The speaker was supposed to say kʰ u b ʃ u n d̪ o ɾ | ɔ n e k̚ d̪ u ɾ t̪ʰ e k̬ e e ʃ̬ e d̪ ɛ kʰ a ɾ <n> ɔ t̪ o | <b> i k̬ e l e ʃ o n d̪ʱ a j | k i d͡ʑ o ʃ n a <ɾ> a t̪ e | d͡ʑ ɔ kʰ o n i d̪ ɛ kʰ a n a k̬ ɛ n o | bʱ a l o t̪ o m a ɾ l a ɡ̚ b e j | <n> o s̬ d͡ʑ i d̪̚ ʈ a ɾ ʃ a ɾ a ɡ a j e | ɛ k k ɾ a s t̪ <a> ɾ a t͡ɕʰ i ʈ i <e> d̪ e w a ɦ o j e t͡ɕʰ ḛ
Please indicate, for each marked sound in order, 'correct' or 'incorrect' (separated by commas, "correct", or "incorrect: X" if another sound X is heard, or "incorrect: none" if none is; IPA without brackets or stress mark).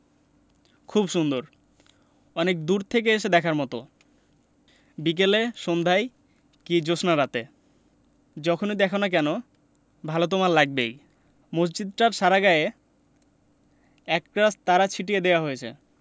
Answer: incorrect: m, correct, correct, incorrect: m, correct, correct